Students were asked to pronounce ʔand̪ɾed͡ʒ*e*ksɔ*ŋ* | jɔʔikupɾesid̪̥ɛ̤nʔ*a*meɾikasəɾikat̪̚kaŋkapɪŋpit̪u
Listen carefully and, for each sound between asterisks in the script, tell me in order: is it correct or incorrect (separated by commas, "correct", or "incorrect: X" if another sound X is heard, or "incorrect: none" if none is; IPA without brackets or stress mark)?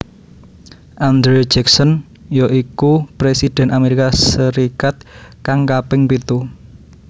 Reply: incorrect: ɛ, incorrect: n, correct